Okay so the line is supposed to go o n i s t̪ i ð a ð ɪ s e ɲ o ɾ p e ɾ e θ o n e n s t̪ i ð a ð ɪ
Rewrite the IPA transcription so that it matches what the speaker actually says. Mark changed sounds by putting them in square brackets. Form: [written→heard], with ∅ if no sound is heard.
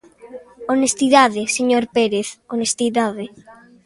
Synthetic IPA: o n [i→e] s t̪ i ð a ð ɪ s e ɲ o ɾ p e ɾ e θ o n e [n→∅] s t̪ i ð a ð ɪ